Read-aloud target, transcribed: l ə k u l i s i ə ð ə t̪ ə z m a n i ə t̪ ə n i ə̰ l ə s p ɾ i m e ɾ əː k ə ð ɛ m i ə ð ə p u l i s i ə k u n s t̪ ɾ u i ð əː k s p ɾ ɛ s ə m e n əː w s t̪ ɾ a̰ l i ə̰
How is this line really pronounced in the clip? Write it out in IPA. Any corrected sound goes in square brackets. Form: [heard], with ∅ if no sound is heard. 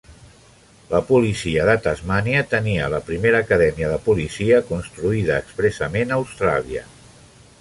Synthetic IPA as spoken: l ə [p] u l i s i ə ð ə t̪ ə z m a n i ə t̪ ə n i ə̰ l ə [∅] p ɾ i m e ɾ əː k ə ð ɛ m i ə ð ə p u l i s i ə k u n s t̪ ɾ u i ð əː k s p ɾ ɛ s ə m e n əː w s t̪ ɾ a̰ l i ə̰